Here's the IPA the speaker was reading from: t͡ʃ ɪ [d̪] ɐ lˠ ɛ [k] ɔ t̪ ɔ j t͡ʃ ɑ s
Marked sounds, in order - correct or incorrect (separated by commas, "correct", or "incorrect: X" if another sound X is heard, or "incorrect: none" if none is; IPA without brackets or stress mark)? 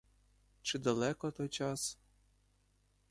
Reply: correct, correct